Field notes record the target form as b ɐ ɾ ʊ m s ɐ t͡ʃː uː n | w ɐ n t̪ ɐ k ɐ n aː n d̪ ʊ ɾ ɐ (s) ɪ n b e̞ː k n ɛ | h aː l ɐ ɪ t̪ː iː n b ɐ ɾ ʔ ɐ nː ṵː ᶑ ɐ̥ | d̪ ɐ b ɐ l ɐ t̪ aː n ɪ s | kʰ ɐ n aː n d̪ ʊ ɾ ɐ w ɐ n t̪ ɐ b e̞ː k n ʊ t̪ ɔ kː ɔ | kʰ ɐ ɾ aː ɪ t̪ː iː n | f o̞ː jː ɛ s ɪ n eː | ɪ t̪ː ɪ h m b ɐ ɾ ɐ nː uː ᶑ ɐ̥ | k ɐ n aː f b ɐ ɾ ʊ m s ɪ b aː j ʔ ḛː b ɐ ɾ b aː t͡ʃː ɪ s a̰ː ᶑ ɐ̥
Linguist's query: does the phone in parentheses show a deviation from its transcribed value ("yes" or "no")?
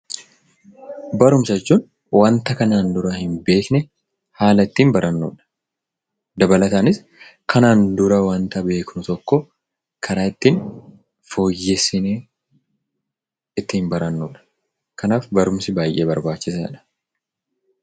yes